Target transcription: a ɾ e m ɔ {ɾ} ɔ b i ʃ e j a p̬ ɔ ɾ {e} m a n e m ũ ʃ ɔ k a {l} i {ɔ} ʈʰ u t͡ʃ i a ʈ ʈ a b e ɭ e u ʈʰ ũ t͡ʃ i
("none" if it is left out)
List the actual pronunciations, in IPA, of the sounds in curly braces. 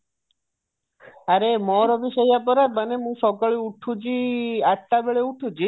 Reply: ɾ, a, ɭ, u

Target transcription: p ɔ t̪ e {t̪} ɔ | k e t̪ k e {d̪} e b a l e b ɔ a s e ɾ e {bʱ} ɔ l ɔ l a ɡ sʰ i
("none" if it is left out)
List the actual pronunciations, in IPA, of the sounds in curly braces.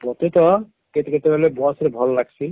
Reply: t̪, t̪, bʱ

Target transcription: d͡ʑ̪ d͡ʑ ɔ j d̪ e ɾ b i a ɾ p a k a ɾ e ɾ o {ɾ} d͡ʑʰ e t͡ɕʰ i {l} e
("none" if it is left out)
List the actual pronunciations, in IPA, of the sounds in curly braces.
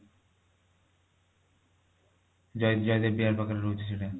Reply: none, l

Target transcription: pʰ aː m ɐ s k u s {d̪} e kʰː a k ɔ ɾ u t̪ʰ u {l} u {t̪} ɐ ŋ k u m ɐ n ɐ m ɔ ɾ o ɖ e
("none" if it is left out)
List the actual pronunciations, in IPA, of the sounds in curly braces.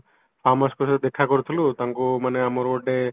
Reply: d̪, l, t̪

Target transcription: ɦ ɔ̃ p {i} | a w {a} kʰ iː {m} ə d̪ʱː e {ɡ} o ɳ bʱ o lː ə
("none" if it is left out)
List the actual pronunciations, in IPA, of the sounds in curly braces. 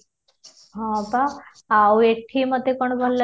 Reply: a, e, m, k

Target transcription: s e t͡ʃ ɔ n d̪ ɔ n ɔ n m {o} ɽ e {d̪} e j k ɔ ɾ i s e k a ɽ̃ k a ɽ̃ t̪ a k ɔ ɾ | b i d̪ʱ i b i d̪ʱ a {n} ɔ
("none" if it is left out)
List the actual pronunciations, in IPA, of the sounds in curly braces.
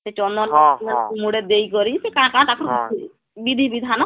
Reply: u, d̪, n

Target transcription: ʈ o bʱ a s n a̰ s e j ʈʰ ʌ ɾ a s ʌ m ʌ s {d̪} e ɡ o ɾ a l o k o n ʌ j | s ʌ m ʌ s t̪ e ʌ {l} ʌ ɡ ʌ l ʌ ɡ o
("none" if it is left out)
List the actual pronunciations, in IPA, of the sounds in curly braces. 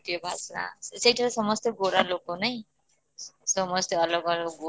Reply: t̪, l

